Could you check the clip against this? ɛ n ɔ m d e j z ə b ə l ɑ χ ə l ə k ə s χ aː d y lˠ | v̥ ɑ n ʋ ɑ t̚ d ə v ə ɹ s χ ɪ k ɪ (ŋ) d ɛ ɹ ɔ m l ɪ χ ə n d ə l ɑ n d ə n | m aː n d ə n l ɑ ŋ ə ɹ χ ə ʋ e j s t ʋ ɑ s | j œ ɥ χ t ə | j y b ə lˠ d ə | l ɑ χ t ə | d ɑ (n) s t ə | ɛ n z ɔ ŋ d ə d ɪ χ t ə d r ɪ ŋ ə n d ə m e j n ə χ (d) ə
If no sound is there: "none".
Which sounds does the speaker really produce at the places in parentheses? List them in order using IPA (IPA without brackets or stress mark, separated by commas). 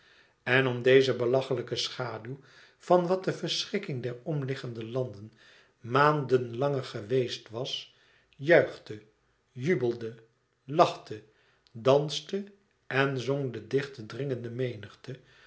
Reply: ŋ, n, t